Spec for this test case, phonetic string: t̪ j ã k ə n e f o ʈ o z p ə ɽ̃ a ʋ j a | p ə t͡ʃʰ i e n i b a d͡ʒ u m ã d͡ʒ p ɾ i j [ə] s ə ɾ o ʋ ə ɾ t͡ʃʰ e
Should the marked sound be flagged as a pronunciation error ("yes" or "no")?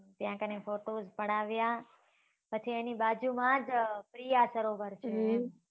yes